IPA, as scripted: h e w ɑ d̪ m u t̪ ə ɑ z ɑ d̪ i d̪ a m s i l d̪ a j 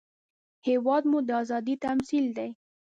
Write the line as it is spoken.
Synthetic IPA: h e w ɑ d̪ m u d̪ ə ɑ z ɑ d̪ i t̪ a m s i l d̪ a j